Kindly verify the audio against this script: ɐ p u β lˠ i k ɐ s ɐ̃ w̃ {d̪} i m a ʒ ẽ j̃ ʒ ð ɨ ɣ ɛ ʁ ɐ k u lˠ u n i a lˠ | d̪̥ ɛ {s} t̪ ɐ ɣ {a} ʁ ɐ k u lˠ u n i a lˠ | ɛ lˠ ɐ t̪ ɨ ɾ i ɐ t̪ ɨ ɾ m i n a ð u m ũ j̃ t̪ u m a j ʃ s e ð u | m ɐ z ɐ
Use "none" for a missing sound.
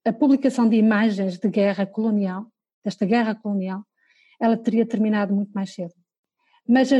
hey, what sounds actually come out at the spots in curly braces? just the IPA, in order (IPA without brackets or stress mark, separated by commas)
d̪, ʃ, ɛ